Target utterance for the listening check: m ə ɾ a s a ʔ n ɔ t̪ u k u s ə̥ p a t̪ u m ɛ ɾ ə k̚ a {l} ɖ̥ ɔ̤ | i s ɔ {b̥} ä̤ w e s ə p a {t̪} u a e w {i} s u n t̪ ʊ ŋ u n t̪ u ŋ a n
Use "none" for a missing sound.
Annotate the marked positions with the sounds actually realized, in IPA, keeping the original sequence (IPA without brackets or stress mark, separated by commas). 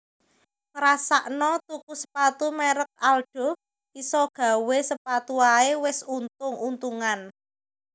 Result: l, ɡ̥, t̪, ɪ